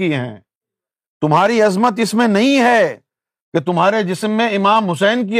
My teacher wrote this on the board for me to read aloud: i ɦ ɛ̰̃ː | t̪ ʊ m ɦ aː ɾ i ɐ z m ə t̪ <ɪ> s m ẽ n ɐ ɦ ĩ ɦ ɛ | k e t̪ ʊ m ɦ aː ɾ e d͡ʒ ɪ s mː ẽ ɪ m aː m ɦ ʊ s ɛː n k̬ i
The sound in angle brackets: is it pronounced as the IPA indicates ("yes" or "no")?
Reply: yes